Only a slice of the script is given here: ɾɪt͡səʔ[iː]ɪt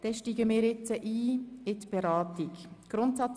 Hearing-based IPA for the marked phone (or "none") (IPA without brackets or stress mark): iː